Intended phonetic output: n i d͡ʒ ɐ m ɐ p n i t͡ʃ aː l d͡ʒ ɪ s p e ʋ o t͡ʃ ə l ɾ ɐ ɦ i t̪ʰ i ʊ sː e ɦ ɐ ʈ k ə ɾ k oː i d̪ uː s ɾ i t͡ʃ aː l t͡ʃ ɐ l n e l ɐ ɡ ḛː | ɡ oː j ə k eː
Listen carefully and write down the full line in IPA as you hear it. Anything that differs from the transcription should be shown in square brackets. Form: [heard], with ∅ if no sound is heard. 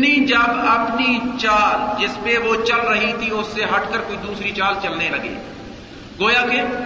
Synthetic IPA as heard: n i d͡ʒ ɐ [b] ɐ p n i t͡ʃ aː l d͡ʒ ɪ s p e ʋ o t͡ʃ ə l ɾ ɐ ɦ i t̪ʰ i ʊ sː e ɦ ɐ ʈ k ə ɾ k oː i d̪ uː s ɾ i t͡ʃ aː l t͡ʃ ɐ l n e l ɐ ɡ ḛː | ɡ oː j [a] k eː